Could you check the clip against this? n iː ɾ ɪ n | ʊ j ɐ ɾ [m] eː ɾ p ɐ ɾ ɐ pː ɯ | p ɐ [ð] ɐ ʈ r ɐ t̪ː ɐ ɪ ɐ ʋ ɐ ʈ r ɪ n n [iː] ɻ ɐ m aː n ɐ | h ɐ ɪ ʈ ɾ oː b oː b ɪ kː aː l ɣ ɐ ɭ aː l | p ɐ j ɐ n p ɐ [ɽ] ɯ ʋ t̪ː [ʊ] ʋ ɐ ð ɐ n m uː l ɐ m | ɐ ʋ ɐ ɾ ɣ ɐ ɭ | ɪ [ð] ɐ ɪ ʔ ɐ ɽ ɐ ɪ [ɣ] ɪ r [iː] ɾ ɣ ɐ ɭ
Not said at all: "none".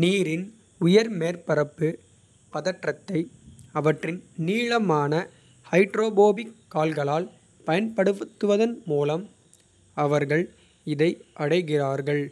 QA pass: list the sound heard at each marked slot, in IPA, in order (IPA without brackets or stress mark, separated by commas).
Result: m, ð, iː, ɽ, ɯ, ð, ɣ, aː